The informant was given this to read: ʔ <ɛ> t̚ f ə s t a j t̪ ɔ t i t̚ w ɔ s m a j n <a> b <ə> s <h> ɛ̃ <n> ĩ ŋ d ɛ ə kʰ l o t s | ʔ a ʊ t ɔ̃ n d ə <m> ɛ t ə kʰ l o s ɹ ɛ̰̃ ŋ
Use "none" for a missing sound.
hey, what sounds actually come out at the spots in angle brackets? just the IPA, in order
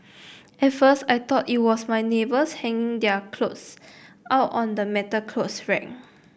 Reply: ɛ, e, ə, h, ŋ, m

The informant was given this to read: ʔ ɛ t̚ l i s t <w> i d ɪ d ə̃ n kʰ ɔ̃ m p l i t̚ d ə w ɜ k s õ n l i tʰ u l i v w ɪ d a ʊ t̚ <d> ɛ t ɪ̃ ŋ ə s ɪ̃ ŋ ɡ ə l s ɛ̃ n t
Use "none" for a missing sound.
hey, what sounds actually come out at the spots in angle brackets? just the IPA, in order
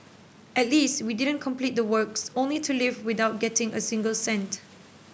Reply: w, ɡ

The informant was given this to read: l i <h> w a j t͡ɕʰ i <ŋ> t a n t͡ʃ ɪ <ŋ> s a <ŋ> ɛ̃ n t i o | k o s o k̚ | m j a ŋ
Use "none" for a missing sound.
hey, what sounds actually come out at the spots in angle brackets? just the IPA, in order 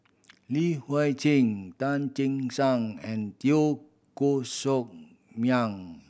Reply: h, ŋ, ŋ, ŋ

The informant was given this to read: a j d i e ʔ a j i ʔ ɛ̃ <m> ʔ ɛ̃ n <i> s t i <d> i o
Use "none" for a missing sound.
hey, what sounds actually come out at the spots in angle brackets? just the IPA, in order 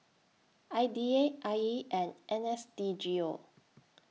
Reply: n, ɛ, d͡ʒ

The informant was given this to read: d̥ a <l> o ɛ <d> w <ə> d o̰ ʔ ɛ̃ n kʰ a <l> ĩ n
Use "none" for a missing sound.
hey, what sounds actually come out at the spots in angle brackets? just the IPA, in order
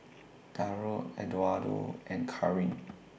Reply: ɹ, d, a, ɹ

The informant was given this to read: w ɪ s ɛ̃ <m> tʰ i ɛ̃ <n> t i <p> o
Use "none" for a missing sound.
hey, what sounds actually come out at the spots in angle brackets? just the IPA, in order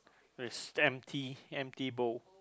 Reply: m, m, b

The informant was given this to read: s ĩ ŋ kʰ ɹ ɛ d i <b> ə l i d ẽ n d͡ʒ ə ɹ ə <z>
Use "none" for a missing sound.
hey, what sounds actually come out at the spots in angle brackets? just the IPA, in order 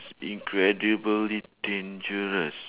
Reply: b, s

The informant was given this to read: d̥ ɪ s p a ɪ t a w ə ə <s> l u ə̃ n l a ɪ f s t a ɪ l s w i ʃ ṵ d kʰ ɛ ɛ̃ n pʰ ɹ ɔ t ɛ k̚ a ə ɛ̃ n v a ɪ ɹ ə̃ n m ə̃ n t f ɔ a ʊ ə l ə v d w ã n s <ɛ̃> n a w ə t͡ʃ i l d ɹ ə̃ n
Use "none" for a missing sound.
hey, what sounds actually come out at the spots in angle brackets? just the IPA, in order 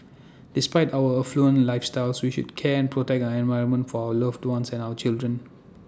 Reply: f, ɛ̃

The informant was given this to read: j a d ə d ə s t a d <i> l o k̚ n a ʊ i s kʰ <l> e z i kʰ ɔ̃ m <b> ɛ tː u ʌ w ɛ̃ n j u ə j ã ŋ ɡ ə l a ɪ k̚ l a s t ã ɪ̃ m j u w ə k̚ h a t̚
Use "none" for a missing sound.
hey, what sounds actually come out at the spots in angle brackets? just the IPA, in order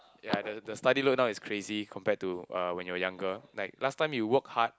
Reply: i, ɹ, p

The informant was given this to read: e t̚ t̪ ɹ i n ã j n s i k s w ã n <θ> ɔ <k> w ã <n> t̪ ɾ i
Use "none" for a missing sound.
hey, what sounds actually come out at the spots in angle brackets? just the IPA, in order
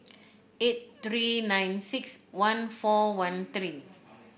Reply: f, none, n

